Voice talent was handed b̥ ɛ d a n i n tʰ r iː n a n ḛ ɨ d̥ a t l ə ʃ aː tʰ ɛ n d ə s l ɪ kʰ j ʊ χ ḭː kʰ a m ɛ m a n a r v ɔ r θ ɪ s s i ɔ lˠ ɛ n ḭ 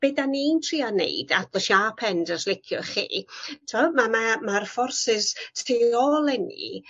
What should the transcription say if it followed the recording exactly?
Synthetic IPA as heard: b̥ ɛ d a n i n tʰ r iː a n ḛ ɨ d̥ a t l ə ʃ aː pʰ ɛ n d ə s l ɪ kʰ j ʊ χ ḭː tʰ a m a m a m a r f ɔ r s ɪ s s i ɔ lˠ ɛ n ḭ